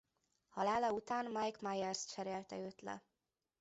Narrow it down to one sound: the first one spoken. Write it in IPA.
h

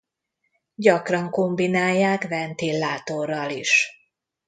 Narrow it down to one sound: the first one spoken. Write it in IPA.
ɟ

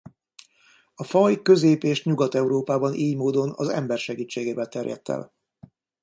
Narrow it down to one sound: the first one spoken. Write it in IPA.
ɒ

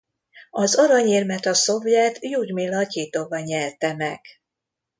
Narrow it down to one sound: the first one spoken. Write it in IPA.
ɒ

